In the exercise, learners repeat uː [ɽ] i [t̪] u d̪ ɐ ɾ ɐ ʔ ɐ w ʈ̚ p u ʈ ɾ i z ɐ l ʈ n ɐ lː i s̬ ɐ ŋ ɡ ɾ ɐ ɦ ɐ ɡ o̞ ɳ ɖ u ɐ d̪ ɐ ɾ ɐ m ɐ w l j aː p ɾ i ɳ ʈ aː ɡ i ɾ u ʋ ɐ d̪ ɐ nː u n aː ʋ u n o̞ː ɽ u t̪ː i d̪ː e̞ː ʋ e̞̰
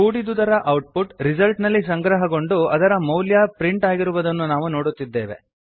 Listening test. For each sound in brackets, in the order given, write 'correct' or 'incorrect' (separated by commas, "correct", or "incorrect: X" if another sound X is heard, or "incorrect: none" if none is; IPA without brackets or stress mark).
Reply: correct, incorrect: d̪